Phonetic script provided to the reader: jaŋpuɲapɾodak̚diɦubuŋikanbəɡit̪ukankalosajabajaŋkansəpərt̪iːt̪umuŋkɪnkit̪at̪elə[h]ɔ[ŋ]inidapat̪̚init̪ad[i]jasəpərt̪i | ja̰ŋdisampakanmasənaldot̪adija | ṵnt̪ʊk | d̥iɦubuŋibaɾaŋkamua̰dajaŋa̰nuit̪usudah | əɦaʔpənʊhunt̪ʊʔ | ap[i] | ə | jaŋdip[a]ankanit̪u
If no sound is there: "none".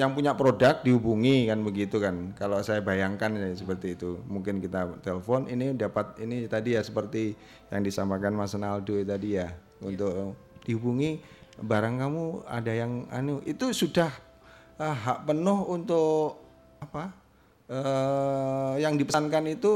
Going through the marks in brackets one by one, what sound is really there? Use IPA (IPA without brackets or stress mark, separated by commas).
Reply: f, n, i, a, ə